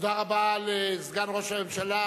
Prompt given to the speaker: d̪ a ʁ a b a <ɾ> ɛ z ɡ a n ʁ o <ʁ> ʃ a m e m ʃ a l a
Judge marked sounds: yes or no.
no, no

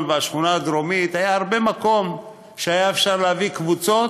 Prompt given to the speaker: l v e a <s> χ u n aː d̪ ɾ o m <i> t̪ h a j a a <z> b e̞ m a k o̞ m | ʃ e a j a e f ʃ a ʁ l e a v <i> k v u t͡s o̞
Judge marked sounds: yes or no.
no, yes, no, yes

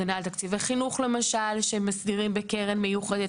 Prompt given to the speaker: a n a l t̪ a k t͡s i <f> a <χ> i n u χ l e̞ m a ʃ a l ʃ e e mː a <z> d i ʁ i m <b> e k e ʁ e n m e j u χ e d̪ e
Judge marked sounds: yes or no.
no, yes, no, yes

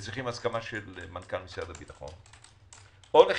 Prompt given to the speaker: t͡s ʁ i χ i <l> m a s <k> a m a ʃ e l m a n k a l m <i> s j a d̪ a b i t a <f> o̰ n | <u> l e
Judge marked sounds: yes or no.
no, yes, yes, no, no

